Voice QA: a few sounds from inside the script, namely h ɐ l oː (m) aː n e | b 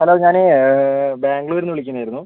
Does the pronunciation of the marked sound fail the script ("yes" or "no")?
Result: yes